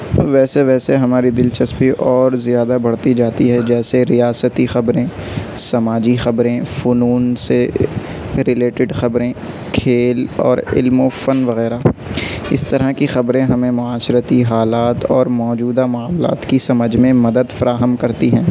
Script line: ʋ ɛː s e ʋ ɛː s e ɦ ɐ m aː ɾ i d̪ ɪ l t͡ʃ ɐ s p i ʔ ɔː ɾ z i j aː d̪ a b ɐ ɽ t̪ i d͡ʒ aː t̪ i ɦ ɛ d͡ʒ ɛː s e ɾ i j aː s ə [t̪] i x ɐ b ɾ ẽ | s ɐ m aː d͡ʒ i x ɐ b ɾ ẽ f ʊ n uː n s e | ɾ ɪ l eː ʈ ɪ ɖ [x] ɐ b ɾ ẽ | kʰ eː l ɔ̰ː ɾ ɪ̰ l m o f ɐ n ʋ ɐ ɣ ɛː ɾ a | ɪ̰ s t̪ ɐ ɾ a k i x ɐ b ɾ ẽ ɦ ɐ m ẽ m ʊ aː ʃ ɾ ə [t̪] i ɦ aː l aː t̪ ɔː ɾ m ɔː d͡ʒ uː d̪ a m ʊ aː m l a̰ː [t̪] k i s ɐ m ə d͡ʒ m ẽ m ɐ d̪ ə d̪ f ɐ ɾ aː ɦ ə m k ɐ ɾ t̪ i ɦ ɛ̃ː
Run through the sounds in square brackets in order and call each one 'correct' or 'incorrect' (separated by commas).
correct, correct, correct, correct